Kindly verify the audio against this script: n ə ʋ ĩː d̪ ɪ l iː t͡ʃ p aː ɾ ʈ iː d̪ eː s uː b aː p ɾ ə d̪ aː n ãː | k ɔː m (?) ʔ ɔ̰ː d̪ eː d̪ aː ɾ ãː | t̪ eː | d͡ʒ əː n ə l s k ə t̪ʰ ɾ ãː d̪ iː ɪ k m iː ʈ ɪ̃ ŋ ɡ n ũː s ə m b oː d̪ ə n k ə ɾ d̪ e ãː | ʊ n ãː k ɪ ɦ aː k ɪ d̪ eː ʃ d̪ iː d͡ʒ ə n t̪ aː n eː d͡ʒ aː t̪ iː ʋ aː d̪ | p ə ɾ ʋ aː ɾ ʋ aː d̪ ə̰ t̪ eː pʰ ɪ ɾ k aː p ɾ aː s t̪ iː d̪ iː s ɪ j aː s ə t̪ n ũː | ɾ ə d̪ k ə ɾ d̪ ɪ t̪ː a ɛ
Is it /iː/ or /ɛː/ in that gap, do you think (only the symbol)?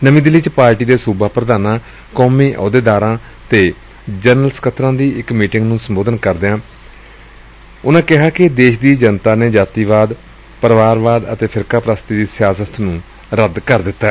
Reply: iː